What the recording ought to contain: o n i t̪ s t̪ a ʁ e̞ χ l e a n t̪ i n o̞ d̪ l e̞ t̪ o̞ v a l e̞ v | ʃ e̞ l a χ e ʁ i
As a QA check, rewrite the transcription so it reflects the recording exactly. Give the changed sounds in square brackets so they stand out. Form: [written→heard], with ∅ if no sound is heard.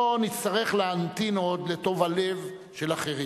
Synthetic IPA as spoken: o n i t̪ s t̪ a ʁ e̞ χ l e a n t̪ i n o̞ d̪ l e̞ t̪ o̞ v a l e̞ v | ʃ e̞ l a χ e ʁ i